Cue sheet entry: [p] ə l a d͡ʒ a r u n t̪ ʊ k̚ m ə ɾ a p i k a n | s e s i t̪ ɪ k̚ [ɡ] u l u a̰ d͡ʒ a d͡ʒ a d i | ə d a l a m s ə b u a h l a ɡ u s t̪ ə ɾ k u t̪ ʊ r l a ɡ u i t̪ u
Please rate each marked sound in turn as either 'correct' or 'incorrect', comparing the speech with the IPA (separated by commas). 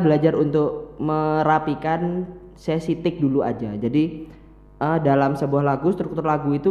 incorrect, incorrect